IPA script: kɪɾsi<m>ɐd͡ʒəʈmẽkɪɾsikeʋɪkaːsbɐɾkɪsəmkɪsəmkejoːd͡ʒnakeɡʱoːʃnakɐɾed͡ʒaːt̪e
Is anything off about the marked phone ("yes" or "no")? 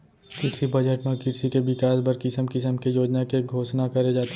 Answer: yes